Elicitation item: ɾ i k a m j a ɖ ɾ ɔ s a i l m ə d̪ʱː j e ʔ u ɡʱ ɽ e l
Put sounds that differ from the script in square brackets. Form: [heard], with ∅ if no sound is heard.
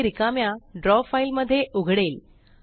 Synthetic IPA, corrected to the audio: ɾ i k a m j a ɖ ɾ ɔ [f] a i l m ə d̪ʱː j e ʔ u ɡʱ ɽ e l